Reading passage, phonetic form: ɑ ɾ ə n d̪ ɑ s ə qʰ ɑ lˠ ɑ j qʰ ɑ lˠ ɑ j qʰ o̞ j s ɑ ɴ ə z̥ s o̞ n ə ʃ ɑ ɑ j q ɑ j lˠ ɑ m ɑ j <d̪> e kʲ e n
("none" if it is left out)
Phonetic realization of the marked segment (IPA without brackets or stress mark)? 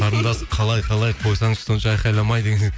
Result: d̪